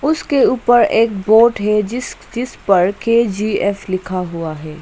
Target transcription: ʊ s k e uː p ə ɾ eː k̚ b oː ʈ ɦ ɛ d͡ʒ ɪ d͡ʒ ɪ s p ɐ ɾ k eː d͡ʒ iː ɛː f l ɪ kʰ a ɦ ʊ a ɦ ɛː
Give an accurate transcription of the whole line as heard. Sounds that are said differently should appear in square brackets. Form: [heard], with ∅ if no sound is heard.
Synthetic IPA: ʊ s k e uː p ə ɾ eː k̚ b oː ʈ ɦ ɛ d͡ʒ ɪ d͡ʒ ɪ s p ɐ ɾ k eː d͡ʒ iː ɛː f l ɪ kʰ a ɦ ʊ a ɦ ɛː